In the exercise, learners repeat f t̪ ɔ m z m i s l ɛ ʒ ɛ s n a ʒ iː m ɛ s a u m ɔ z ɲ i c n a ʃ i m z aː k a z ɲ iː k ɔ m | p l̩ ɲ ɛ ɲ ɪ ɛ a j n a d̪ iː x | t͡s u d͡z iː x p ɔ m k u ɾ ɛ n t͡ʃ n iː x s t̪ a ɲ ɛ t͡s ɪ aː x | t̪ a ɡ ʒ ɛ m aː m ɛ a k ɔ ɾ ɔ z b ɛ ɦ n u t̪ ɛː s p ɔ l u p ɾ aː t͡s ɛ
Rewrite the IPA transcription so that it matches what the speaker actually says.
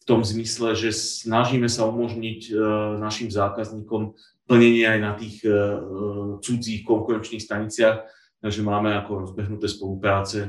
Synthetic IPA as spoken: f t̪ ɔ m z m i s l ɛ ʒ ɛ s n a ʒ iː m ɛ s a u m ɔ ʒ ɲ i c n a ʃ i m z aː k a z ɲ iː k ɔ m | p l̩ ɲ ɛ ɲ ɪ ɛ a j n a t̪ iː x | t͡s u d͡z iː x k ɔ ŋ k u ɾ ɛ n t͡ʃ n iː x s t̪ a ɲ i t͡s ɪ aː x | t̪ a ɡ ʒ ɛ m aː m ɛ a k ɔ ɾ ɔ z b ɛ ɦ n u t̪ ɛː s p ɔ l u p ɾ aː t͡s ɛ